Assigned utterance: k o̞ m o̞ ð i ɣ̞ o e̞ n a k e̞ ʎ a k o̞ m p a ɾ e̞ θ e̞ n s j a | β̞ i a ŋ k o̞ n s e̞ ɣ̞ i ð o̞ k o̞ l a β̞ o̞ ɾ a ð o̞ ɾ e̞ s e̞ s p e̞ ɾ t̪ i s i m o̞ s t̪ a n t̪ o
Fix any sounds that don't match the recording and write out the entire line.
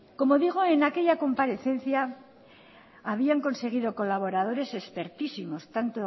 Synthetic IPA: k o̞ m o̞ ð i ɣ̞ o e̞ n a k e̞ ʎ a k o̞ m p a ɾ e̞ θ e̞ n θ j a | β̞ i a ŋ k o̞ n s e̞ ɣ̞ i ð o̞ k o̞ l a β̞ o̞ ɾ a ð o̞ ɾ e̞ s e̞ s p e̞ ɾ t̪ i s i m o̞ s t̪ a n t̪ o